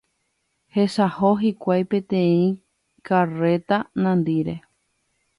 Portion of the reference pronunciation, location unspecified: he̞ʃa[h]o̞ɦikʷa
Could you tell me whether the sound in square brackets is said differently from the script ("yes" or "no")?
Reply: no